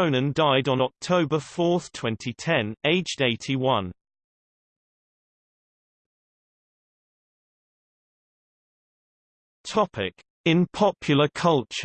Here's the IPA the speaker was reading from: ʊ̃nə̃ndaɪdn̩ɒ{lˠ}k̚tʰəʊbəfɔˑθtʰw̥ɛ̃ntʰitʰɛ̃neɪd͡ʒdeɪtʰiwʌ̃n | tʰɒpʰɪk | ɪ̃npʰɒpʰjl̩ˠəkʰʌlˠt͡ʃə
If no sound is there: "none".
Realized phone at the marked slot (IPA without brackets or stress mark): none